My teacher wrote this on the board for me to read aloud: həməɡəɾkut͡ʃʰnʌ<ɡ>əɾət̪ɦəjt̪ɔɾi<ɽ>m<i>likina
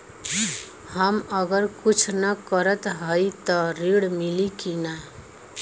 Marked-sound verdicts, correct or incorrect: incorrect, correct, correct

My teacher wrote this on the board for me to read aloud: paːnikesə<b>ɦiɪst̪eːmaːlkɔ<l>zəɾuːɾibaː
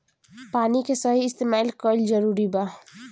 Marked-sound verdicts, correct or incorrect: incorrect, correct

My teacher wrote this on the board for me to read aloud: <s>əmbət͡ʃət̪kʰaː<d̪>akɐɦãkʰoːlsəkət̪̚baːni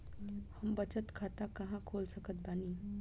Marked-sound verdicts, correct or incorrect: incorrect, incorrect

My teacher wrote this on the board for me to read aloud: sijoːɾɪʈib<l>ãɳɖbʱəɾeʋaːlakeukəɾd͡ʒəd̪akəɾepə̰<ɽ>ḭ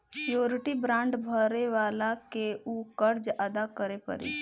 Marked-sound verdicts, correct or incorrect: incorrect, incorrect

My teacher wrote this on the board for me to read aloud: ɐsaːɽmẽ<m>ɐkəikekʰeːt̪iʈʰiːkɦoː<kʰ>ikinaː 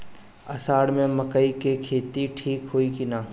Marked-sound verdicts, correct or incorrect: correct, incorrect

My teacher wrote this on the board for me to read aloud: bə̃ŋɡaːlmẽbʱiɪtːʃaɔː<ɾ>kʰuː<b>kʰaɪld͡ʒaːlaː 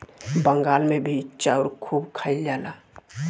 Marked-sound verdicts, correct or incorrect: correct, correct

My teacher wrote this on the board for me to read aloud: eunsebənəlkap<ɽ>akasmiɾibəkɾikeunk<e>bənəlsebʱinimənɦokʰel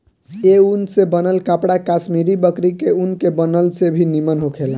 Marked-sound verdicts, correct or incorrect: correct, correct

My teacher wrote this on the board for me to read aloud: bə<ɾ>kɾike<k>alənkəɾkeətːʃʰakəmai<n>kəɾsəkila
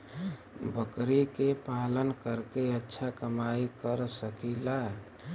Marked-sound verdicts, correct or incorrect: incorrect, incorrect, incorrect

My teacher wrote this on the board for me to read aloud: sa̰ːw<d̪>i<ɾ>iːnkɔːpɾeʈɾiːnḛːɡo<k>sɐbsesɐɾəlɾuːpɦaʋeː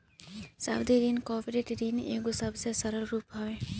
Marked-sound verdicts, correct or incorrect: correct, correct, incorrect

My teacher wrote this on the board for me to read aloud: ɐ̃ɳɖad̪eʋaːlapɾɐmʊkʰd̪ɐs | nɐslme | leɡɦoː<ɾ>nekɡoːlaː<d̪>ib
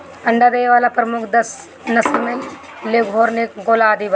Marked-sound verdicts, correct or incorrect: correct, correct

